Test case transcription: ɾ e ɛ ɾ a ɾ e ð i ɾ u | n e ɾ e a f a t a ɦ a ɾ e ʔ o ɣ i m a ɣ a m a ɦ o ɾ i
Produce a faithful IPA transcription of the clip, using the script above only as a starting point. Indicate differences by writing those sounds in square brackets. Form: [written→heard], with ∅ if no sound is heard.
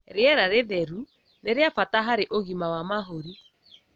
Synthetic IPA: ɾ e ɛ ɾ a ɾ e ð [i→ɛ] ɾ u | n e ɾ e a f a t a ɦ a ɾ e ʔ o ɣ i m a [ɣ→w] a m a ɦ o ɾ i